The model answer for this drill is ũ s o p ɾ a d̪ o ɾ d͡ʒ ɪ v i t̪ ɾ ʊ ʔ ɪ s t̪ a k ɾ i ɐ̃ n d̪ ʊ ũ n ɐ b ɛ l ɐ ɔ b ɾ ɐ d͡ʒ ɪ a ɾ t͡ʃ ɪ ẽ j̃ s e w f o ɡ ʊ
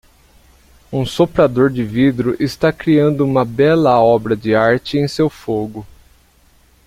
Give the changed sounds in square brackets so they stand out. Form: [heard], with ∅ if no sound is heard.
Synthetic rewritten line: ũ s o p ɾ a d̪ o ɾ d͡ʒ ɪ v i [d̪] ɾ ʊ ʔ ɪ s t̪ a k ɾ i ɐ̃ n d̪ ʊ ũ [m] ɐ b ɛ l ɐ ɔ b ɾ ɐ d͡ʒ ɪ a ɾ t͡ʃ ɪ ẽ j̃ s e w f o ɡ ʊ